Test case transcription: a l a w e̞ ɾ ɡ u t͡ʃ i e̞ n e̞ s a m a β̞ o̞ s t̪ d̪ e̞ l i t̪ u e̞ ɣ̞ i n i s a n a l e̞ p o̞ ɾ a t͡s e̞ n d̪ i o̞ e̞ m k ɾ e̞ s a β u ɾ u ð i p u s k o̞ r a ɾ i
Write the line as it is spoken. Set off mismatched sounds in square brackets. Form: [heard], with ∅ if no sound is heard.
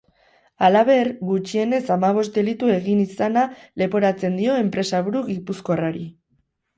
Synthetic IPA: a l a [β] e̞ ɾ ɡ u t͡ʃ i e̞ n e̞ s a m a β̞ o̞ s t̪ d̪ e̞ l i t̪ u e̞ ɣ̞ i n i s a n a l e̞ p o̞ ɾ a t͡s e̞ n d̪ i o̞ e̞ m [p] ɾ e̞ s a β u ɾ u [ɣ] i p u s k o̞ r a ɾ i